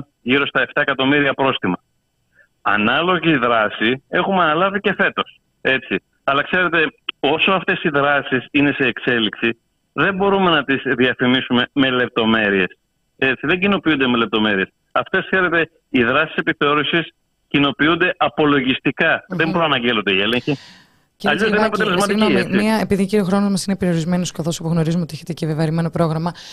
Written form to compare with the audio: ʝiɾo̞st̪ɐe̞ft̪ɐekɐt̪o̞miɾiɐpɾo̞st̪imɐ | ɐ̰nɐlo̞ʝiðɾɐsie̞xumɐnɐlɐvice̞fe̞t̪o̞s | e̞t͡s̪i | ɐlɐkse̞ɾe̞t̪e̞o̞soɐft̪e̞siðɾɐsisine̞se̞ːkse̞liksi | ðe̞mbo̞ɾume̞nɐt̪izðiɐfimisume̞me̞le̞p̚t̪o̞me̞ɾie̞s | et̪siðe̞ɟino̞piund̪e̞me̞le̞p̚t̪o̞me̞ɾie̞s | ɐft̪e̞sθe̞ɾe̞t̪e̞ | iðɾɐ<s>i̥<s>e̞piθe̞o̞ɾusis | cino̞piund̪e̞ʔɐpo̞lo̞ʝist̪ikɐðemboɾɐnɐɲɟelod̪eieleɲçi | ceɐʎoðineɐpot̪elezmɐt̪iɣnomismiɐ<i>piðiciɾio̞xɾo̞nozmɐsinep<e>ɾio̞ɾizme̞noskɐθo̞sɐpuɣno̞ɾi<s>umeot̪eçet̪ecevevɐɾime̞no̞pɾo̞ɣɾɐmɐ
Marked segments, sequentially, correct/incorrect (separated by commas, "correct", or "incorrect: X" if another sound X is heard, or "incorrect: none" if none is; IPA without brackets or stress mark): correct, correct, incorrect: e, correct, incorrect: z